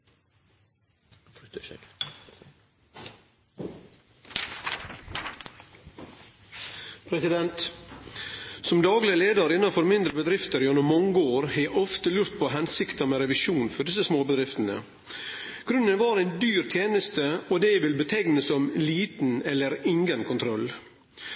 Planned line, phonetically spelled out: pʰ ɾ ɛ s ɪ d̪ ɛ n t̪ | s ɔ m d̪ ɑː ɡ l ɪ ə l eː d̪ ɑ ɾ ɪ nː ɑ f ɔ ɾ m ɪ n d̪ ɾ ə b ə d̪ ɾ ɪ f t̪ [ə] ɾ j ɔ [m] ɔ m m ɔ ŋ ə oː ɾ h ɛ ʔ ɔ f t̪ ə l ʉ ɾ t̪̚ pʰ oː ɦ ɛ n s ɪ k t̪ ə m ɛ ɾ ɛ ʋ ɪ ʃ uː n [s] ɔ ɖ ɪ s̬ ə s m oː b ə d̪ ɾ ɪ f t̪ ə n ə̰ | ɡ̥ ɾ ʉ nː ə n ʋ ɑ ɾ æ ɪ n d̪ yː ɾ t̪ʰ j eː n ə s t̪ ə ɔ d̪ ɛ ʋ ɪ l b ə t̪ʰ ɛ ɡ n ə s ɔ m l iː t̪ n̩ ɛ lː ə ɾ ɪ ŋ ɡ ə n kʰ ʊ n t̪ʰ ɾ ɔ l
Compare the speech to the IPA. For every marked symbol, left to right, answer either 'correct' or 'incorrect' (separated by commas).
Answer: correct, incorrect, incorrect